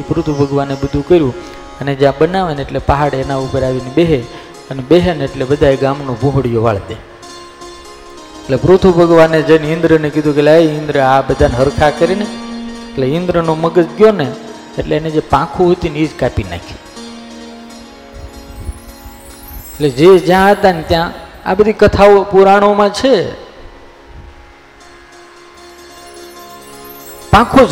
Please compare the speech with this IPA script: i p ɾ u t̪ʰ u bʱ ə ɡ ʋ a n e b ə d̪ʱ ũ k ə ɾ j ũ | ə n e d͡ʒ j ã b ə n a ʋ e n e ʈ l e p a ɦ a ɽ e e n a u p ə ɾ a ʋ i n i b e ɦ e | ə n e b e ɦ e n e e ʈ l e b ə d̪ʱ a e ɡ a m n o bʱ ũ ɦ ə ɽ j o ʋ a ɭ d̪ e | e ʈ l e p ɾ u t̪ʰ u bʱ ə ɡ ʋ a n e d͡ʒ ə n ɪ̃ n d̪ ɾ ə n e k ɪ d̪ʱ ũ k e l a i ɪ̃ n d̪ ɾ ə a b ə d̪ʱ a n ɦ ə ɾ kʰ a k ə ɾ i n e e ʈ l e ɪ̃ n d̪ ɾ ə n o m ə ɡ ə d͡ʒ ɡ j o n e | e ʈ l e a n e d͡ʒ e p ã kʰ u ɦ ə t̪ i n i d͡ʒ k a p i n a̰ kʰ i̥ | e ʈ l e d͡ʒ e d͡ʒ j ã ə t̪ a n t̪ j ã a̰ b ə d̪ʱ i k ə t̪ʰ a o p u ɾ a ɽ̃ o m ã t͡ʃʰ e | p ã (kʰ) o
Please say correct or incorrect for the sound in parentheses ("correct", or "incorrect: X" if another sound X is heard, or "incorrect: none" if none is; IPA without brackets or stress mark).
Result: correct